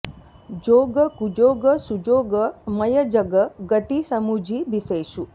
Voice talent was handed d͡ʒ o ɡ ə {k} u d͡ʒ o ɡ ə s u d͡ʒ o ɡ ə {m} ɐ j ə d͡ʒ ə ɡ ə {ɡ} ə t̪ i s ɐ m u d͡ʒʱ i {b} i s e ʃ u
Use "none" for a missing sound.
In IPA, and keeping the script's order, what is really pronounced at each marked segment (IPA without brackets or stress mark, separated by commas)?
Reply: k, m, ɡ, b